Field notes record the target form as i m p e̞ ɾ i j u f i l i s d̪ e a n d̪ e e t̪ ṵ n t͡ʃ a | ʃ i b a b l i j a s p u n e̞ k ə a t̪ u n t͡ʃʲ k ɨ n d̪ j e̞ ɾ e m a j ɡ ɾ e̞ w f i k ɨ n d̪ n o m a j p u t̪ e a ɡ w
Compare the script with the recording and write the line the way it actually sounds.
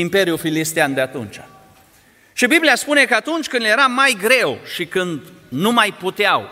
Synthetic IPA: i m p e̞ ɾ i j u f i l i s t̪ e a n d̪ e a t̪ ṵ n t͡ʃ a | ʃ i b i b l i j a s p u n e̞ k ə a t̪ u n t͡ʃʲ k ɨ n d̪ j e̞ ɾ a m a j ɡ ɾ e̞ w ʃ i k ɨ n d̪ n u m a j p u t̪ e a w